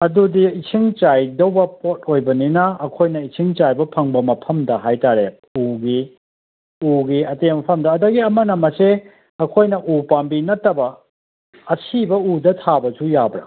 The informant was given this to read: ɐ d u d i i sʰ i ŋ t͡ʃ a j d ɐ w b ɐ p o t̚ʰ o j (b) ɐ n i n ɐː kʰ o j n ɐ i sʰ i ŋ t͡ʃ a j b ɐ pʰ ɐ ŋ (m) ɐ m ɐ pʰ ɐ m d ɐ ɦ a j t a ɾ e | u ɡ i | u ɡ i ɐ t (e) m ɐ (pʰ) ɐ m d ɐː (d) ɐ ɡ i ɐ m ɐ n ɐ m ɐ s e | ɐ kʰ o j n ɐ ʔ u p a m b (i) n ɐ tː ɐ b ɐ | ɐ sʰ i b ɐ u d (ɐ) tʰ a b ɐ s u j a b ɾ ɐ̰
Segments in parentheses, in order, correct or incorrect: correct, incorrect, correct, correct, correct, correct, correct

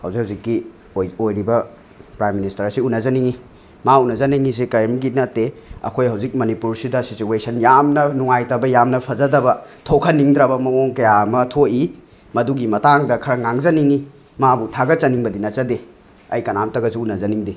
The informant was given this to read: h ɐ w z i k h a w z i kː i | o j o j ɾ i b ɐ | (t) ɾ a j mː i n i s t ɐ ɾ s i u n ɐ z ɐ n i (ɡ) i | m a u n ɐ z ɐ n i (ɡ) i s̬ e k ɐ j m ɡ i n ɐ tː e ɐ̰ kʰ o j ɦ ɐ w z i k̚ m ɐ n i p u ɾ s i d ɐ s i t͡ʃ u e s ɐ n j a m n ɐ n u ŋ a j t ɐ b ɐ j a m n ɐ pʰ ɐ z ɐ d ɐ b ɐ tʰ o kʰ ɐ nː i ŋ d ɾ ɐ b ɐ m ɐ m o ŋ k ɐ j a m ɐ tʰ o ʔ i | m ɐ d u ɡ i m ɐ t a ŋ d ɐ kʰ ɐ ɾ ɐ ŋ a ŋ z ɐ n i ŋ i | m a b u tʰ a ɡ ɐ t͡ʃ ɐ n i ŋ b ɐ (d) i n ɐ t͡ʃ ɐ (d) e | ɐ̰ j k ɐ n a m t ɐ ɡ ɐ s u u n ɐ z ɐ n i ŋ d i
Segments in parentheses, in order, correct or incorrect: incorrect, incorrect, incorrect, correct, correct

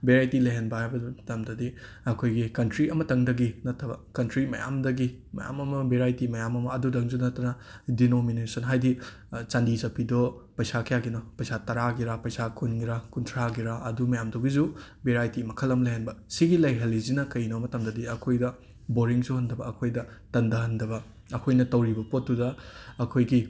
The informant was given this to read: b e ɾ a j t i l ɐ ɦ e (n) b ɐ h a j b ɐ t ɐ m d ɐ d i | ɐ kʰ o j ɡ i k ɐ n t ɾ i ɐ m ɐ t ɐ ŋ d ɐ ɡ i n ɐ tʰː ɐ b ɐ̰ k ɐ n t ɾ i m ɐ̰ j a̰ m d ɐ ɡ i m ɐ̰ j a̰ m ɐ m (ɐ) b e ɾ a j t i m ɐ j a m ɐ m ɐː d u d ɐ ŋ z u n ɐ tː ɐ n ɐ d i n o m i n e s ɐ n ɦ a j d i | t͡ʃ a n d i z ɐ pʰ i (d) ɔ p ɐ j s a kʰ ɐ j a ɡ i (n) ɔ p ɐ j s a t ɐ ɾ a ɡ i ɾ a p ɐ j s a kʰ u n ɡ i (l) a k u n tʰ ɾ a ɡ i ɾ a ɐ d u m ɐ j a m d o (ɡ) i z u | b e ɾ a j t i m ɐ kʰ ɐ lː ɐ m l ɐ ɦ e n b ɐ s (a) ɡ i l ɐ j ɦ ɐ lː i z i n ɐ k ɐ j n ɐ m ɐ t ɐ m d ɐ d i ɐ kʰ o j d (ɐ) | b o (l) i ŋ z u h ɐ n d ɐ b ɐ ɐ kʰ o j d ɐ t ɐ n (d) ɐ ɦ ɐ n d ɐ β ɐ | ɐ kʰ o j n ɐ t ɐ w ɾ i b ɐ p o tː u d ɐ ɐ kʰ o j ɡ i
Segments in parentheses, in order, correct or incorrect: correct, correct, correct, correct, incorrect, correct, incorrect, correct, incorrect, correct

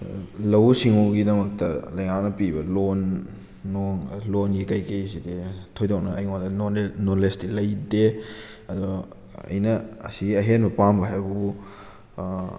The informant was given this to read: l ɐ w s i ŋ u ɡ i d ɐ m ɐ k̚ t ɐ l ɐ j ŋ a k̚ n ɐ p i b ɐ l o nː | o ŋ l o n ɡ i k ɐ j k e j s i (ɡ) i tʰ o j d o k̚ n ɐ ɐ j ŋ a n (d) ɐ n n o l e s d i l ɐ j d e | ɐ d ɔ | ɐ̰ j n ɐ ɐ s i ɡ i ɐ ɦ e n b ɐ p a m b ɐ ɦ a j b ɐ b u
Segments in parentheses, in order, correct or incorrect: incorrect, correct

